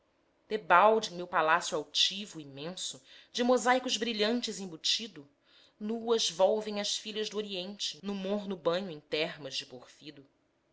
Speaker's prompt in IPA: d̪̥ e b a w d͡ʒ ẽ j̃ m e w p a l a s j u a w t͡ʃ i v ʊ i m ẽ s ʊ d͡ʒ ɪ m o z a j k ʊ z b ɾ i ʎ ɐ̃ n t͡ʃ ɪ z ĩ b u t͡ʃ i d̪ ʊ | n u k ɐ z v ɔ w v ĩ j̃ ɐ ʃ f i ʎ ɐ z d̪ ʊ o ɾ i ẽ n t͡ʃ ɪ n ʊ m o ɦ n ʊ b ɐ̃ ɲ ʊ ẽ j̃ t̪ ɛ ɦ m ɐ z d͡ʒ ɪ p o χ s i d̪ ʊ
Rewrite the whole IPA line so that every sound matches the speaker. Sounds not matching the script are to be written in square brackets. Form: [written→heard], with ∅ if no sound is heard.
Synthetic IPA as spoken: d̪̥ e b a w d͡ʒ ẽ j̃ m e w p a l a s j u a w t͡ʃ i v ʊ i m ẽ s ʊ d͡ʒ ɪ m o z a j k ʊ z b ɾ i ʎ ɐ̃ n t͡ʃ ɪ z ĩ b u t͡ʃ i d̪ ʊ | n u [k→∅] ɐ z v ɔ w v [ĩ→ẽ] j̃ ɐ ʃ f i ʎ ɐ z d̪ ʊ o ɾ i ẽ n t͡ʃ ɪ n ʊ m o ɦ n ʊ b ɐ̃ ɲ ʊ ẽ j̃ t̪ ɛ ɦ m ɐ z d͡ʒ ɪ p o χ [s→f] i d̪ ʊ

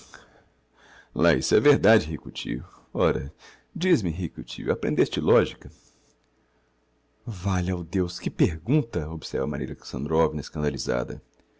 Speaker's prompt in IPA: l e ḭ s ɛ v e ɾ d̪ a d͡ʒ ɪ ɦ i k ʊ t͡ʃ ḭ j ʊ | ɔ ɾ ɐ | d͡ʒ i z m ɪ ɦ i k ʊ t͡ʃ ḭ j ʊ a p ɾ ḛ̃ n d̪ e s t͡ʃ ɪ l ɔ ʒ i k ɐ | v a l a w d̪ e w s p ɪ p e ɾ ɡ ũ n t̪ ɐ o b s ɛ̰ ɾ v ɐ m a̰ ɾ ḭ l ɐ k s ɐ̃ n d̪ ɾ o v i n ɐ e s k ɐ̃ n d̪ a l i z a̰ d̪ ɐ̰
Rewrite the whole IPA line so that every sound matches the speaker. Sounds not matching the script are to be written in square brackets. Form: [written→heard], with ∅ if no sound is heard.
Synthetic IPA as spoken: l [e→a] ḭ s ɛ v e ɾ d̪ a d͡ʒ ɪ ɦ i k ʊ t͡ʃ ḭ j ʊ | ɔ ɾ ɐ | d͡ʒ i z m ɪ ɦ i k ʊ t͡ʃ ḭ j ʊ a p ɾ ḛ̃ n d̪ e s t͡ʃ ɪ l ɔ ʒ i k ɐ | v a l a w d̪ e w s [p→k] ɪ p e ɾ ɡ ũ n t̪ ɐ o b s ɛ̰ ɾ v ɐ m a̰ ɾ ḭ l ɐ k s ɐ̃ n d̪ ɾ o v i n ɐ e s k ɐ̃ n d̪ a l i z a̰ d̪ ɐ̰

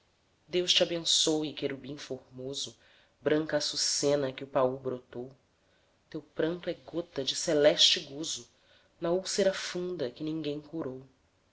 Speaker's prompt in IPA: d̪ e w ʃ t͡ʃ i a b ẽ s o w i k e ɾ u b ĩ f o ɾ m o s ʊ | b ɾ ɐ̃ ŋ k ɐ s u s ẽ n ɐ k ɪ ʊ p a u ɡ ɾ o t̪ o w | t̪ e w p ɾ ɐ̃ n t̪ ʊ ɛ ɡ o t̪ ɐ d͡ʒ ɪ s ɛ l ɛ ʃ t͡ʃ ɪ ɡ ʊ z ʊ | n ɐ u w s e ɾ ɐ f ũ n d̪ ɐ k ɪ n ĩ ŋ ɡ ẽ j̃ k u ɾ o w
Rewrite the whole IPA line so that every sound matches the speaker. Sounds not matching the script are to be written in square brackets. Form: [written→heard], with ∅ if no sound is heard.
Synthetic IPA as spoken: d̪ e w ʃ t͡ʃ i a b ẽ s o w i k e ɾ u b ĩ f o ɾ m o [s→z] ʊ | b ɾ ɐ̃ ŋ k ɐ s u s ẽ n ɐ k ɪ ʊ p a u [ɡ→b] ɾ o t̪ o w | t̪ e w p ɾ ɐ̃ n t̪ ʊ ɛ ɡ o t̪ ɐ d͡ʒ ɪ s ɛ l ɛ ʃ t͡ʃ ɪ ɡ [ʊ→u] z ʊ | n ɐ u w s e ɾ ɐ f ũ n d̪ ɐ k ɪ n ĩ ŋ ɡ ẽ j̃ k u ɾ o w

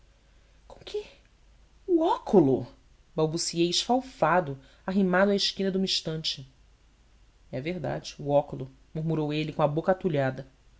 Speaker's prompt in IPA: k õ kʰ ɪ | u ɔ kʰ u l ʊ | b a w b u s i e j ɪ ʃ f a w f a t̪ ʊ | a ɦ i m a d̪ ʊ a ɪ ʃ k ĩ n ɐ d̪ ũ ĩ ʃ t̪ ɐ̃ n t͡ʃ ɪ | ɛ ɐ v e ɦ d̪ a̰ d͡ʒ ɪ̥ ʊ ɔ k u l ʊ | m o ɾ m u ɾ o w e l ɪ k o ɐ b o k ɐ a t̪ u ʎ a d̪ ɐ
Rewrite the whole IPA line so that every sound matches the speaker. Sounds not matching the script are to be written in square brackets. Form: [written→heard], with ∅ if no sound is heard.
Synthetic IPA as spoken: k õ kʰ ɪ | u ɔ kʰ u l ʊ | b a w b u s i e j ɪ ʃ f a w f a [t̪→d̪] ʊ | a ɦ i m a d̪ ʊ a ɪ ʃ k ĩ n ɐ d̪ ũ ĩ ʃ t̪ ɐ̃ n t͡ʃ ɪ | ɛ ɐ v e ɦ d̪ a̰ d͡ʒ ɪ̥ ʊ ɔ k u l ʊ | m [o→u] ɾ m u ɾ o w e l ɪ k [o→õ] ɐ b o k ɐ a t̪ u ʎ a d̪ ɐ

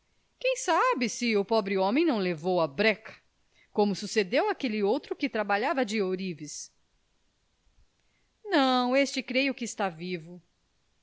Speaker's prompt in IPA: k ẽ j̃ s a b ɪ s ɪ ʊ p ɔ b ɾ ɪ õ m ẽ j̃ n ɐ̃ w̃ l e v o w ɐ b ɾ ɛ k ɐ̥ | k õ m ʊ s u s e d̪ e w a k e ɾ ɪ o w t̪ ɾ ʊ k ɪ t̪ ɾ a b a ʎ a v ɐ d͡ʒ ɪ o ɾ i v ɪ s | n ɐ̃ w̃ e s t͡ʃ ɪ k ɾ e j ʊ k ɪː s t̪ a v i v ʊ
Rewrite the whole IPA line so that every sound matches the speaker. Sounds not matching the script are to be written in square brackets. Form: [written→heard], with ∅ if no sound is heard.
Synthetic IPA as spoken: k ẽ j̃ s a b ɪ s ɪ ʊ p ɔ b ɾ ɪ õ m ẽ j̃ n ɐ̃ w̃ l e v o w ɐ b ɾ ɛ k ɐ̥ | k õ m ʊ s u s e d̪ e w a k e [ɾ→l] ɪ o w t̪ ɾ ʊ k ɪ t̪ ɾ a b a ʎ a v ɐ d͡ʒ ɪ o ɾ i v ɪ s | n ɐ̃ w̃ e s t͡ʃ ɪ k ɾ e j ʊ k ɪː s t̪ a v i v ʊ

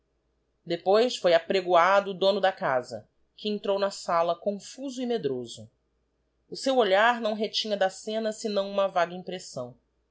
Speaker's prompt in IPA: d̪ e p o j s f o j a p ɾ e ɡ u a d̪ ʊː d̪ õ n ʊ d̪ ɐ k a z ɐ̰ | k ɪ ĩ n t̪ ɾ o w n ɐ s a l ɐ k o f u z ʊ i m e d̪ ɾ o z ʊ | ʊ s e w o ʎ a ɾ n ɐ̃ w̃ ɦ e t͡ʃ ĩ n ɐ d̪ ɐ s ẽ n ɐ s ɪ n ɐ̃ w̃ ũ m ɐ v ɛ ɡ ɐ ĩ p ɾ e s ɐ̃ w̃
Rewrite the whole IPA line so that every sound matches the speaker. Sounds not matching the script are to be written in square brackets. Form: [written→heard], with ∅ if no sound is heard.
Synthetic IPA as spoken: d̪ e p o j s f o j a p ɾ e ɡ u a d̪ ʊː d̪ õ n ʊ d̪ ɐ k a z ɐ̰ | k ɪ [ĩ→ẽ] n t̪ ɾ o w n ɐ s a l ɐ k [o→õ] f u z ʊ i m e d̪ ɾ o z ʊ | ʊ s e w o ʎ a ɾ n ɐ̃ w̃ ɦ e t͡ʃ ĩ [n→ɲ] ɐ d̪ ɐ s ẽ n ɐ s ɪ n ɐ̃ w̃ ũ m ɐ v [ɛ→a] ɡ ɐ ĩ p ɾ e s ɐ̃ w̃

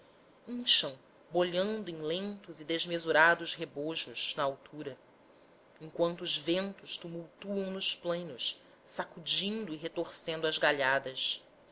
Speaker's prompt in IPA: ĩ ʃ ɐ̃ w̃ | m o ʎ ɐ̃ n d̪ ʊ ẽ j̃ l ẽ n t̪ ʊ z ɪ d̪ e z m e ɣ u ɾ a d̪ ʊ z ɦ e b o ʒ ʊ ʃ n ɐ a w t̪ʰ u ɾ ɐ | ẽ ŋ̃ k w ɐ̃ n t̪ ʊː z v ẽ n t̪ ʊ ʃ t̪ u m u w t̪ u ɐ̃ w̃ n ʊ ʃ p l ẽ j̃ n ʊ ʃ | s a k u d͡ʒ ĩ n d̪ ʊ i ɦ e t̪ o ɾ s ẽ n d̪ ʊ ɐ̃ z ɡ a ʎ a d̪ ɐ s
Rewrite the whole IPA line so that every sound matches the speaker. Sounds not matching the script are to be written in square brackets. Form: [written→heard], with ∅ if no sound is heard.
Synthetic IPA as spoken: ĩ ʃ ɐ̃ w̃ | [m→b] o ʎ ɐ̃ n d̪ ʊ ẽ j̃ l ẽ n t̪ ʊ z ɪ d̪ e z m e [ɣ→z] u ɾ a d̪ ʊ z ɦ e b o ʒ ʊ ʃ n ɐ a w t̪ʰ u ɾ ɐ | ẽ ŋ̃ k w ɐ̃ n t̪ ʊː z v ẽ n t̪ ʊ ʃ t̪ u m u w t̪ u ɐ̃ w̃ n ʊ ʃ p l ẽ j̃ n ʊ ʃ | s a k u d͡ʒ ĩ n d̪ ʊ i ɦ e t̪ o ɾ s ẽ n d̪ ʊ [ɐ̃→ɐ] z ɡ a ʎ a d̪ ɐ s

